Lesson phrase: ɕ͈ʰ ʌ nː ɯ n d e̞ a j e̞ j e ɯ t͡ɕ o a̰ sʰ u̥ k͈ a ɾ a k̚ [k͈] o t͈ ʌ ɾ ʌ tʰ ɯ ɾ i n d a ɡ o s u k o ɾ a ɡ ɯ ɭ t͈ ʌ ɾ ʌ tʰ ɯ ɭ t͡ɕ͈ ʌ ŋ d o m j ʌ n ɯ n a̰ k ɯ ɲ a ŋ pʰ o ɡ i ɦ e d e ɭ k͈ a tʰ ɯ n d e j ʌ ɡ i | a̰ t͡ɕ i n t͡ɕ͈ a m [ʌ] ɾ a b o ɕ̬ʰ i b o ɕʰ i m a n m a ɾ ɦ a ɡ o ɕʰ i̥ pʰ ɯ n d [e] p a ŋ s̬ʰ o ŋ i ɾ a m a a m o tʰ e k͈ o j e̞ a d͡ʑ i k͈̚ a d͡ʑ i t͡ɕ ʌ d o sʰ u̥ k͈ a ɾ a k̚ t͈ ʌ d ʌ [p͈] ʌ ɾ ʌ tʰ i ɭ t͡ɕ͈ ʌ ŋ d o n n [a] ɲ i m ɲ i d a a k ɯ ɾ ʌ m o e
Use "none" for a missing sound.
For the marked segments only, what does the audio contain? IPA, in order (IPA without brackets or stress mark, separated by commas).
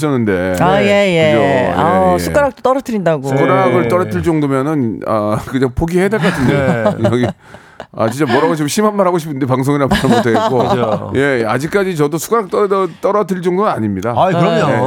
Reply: t͈, ʌ, e, t͈, a